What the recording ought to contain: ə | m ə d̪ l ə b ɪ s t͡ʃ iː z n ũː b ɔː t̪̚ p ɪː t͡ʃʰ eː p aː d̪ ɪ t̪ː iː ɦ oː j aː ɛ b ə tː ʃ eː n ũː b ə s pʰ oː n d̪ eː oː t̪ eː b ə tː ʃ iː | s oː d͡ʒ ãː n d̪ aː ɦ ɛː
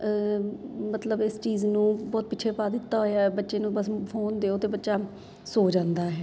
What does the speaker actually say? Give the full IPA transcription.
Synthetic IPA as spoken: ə | m ə t̪ l ə b ɪ s t͡ʃ iː z n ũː b ɔː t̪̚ p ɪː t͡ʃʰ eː p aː d̪ ɪ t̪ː aː ɦ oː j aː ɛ b ə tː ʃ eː n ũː b ə s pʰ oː n d̪ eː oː t̪ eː b ə tː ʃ aː | s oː d͡ʒ ãː n d̪ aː ɦ ɛː